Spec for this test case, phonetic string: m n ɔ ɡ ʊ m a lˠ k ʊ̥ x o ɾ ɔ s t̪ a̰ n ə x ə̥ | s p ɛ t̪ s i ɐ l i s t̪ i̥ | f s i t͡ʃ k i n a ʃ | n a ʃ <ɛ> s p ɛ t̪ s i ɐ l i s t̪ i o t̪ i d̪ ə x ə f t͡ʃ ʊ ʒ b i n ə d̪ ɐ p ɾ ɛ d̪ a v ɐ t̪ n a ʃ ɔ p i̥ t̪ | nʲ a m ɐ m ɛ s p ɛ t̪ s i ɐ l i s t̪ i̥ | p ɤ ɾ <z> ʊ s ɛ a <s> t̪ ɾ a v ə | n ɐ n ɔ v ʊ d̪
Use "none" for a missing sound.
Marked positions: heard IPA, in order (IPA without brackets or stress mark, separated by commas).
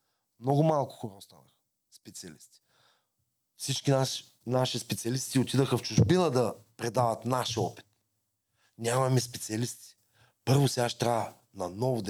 i, v, ʃ